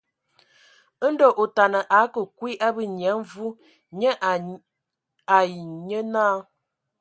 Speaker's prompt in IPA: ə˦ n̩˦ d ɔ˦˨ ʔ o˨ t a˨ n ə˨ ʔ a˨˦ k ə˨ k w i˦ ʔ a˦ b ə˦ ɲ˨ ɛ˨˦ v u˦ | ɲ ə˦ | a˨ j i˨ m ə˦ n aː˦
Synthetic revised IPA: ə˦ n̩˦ d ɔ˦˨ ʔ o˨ t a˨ n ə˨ ʔ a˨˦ k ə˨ k w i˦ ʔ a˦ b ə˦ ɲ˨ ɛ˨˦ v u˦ | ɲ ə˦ | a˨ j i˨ ɲ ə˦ n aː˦